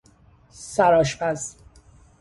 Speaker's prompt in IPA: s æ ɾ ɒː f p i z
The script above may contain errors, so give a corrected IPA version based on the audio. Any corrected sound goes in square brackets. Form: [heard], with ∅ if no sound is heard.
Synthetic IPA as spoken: s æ ɾ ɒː [ʃ] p [æ] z